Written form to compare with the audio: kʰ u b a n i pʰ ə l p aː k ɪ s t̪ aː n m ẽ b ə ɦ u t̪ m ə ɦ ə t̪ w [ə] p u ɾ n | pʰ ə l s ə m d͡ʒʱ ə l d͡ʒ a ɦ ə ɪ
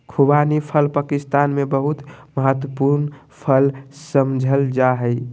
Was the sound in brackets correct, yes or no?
yes